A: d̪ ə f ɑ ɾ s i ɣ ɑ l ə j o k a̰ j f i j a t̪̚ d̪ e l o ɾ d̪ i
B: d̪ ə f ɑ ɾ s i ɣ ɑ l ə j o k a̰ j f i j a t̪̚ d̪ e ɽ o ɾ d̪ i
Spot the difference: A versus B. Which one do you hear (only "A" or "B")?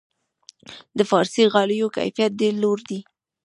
A